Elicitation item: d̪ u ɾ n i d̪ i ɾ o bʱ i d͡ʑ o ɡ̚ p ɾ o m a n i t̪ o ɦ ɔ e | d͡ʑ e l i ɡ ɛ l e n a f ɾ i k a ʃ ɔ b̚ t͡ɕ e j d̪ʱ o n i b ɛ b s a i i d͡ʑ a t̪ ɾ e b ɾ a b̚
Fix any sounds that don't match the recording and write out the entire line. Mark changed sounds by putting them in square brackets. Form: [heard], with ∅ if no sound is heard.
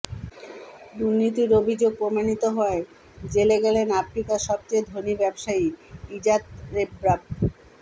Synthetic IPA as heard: d̪ u ɾ n i [t̪] i ɾ o bʱ i d͡ʑ o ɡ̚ p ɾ o m a n i t̪ o ɦ ɔ e | d͡ʑ e l [e] ɡ ɛ l e n a f ɾ i k a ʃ ɔ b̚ t͡ɕ e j d̪ʱ o n i b ɛ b [ʃ] a i i d͡ʑ a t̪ ɾ e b ɾ a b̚